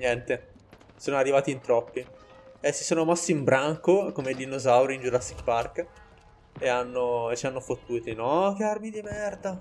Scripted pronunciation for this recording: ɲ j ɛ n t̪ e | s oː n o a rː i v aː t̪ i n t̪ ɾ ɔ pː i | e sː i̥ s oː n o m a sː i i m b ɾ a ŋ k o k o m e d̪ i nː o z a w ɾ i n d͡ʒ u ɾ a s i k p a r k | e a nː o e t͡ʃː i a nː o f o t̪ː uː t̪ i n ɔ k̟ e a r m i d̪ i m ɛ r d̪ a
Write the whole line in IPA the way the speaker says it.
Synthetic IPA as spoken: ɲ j ɛ n t̪ e | s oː n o a rː i v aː t̪ i n t̪ ɾ ɔ pː i | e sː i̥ s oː n o m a sː i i m b ɾ a ŋ k o k o m e d̪ i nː o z a w ɾ i n d͡ʒ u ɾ a s i k p a r k | e a nː o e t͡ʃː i a nː o f o t̪ː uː t̪ i n ɔ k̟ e a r m i d̪ i m ɛ r d̪ a